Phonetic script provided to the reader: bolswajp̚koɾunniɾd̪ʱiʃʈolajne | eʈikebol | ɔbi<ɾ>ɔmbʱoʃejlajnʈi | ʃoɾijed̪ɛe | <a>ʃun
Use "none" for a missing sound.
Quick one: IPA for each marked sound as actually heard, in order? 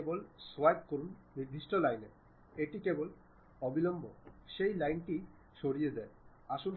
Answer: l, a

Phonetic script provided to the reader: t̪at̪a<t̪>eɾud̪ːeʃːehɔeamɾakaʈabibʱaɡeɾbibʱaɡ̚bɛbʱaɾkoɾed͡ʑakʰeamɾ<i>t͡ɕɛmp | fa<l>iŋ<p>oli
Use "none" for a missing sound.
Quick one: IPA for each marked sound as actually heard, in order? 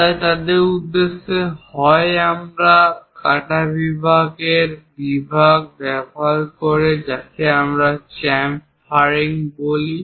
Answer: d̪, a, ɾ, b

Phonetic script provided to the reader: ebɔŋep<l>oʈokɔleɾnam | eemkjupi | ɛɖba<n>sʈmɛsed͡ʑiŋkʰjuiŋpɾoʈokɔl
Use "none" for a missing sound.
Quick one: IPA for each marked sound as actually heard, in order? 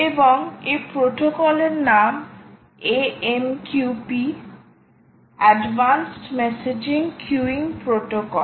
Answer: ɾ, n

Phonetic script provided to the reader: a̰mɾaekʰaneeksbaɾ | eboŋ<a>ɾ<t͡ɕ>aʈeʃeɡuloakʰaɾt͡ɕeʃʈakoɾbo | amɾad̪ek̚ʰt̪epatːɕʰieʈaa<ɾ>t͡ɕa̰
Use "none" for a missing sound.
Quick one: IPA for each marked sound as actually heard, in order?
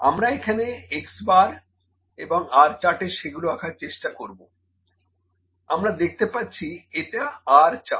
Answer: a, t͡ɕ, ɾ

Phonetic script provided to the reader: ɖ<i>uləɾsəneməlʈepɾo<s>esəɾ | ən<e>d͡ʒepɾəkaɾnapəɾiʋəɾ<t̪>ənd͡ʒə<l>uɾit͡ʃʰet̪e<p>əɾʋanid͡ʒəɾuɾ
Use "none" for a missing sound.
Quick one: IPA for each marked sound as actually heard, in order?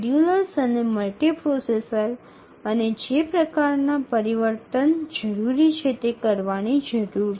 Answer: j, s, e, t̪, ɾ, k

